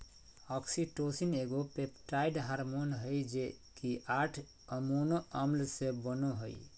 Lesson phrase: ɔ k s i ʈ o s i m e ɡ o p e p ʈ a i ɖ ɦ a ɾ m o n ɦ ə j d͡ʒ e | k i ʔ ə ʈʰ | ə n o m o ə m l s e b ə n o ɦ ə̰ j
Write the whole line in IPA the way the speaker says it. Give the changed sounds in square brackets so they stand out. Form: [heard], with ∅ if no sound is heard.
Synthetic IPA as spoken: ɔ k s i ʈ o s i [n] e ɡ o p e p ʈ a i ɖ ɦ a ɾ m o n ɦ ə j d͡ʒ e | k i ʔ [a] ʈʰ | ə [m] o [n] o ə m l s e b ə n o ɦ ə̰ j